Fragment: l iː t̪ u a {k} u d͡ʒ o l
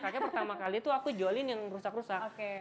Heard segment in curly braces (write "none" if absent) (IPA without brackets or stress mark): k